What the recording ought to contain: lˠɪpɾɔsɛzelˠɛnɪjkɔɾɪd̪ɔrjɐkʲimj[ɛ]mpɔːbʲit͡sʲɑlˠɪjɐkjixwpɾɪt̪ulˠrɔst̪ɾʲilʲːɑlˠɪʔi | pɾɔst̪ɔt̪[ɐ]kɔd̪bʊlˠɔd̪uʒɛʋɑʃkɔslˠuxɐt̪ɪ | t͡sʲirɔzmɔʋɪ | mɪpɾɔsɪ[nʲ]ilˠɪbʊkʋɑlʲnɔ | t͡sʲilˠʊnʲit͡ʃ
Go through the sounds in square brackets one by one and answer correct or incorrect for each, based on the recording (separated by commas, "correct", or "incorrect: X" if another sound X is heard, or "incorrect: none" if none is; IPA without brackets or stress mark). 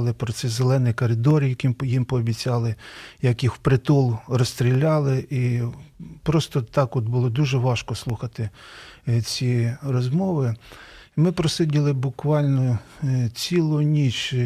incorrect: i, incorrect: ɑ, incorrect: dʲ